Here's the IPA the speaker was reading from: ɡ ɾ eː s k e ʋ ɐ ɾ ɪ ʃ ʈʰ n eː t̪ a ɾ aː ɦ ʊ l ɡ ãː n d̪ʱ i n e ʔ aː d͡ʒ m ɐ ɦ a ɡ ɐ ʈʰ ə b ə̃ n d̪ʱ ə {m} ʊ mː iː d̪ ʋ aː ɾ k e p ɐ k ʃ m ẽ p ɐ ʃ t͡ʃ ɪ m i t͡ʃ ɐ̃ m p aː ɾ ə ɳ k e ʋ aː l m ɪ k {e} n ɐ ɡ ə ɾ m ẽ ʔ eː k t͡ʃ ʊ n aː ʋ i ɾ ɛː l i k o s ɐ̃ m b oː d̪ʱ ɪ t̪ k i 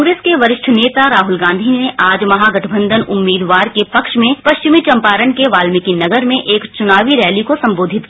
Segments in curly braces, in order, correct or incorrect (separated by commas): incorrect, incorrect